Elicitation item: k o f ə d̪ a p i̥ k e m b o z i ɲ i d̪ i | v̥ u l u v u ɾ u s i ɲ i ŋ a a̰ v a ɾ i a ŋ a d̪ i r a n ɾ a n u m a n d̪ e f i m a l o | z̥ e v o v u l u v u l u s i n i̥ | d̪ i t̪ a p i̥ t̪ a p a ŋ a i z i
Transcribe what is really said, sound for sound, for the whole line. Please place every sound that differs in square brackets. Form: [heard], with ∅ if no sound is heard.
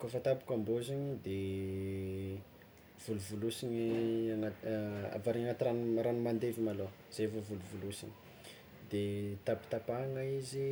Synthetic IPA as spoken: k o f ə [t̪] a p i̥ k [a] m b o z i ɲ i d̪ [e] | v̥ u l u v u [l] u s i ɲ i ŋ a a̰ v a ɾ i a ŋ a [t̪] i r a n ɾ a n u m a n d̪ e [v] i m a l o | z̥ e v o v u l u v u l u s i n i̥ | d̪ [e] t̪ a p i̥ t̪ a p a ŋ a i z i